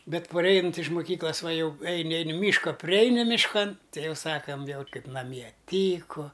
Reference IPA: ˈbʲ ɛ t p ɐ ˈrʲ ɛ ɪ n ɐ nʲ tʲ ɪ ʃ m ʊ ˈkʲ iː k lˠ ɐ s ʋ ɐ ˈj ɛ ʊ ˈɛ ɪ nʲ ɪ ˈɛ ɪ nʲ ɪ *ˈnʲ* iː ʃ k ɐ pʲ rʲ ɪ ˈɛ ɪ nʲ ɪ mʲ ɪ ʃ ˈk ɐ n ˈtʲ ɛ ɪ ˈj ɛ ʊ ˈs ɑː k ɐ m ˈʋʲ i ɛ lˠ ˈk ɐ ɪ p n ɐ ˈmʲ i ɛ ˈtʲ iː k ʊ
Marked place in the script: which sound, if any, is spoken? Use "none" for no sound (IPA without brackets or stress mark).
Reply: mʲ